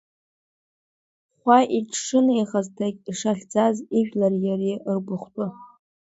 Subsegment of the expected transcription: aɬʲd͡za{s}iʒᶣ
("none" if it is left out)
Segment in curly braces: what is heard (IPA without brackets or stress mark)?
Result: z